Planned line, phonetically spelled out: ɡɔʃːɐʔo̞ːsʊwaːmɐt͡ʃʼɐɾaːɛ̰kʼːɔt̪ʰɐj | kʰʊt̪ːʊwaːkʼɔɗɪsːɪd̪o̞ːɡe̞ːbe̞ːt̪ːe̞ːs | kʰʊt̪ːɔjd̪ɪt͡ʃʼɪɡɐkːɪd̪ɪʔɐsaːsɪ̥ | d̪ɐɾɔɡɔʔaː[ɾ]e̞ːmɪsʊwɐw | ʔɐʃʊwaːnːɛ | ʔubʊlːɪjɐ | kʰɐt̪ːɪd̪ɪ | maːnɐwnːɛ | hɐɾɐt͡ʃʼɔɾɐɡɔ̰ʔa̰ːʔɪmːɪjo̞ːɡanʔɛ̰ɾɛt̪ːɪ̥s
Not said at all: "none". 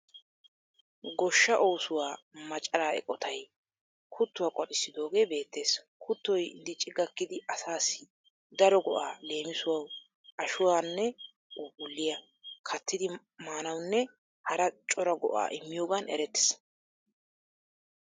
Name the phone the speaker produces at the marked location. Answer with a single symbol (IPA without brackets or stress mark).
l